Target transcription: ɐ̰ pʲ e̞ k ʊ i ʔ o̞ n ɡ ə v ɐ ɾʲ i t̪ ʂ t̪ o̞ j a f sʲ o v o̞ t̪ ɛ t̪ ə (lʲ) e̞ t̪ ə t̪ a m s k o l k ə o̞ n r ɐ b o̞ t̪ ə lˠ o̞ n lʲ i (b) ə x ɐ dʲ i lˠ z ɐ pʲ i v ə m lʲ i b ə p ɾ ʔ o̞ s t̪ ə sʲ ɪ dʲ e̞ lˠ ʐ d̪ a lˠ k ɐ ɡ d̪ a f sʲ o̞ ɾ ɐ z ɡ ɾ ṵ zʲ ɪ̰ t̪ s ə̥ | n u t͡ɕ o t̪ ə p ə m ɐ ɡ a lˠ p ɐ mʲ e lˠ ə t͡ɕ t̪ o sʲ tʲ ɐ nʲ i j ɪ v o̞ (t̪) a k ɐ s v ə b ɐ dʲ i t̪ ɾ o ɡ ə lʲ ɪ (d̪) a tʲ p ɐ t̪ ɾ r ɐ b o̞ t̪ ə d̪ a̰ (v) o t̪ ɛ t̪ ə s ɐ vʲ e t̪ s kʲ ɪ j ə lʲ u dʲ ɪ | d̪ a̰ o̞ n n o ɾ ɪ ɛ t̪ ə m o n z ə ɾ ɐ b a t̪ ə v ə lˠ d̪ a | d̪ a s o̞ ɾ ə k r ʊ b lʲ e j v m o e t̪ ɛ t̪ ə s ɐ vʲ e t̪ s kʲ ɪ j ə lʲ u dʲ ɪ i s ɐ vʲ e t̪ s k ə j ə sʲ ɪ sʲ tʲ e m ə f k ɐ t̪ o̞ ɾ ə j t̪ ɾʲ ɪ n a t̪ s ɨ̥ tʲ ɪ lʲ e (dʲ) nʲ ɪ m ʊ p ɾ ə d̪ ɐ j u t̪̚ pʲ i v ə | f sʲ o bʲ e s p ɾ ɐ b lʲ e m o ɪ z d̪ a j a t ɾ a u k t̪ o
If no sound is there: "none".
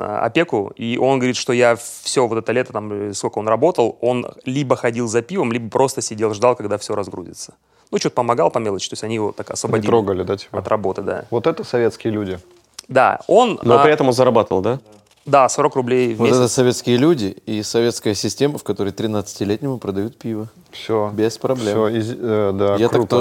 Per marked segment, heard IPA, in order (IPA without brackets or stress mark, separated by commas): lʲ, b, t̪, d̪, v, tʲ